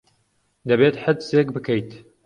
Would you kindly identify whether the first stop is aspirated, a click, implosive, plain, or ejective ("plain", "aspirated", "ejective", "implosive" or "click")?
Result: plain